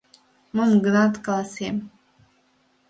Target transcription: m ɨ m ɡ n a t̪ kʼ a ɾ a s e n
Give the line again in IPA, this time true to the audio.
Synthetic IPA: m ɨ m ɡ n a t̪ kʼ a l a s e m